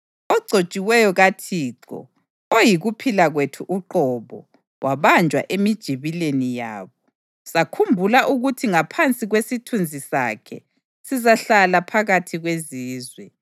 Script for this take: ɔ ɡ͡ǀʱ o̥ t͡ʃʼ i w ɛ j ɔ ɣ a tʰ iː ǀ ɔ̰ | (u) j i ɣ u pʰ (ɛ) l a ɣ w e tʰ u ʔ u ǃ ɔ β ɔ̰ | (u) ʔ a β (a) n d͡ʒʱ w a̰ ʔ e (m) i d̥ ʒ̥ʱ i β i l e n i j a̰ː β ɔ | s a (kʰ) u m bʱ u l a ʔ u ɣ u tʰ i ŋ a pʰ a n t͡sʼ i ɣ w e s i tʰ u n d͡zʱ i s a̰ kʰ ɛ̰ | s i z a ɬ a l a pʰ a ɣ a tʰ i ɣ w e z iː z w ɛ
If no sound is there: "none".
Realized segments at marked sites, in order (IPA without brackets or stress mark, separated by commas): o, i, w, a, m, kʰ